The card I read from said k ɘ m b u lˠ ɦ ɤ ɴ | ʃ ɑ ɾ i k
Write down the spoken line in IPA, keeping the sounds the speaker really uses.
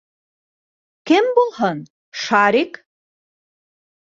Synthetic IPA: k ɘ m b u lˠ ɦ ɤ n | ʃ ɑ ɾ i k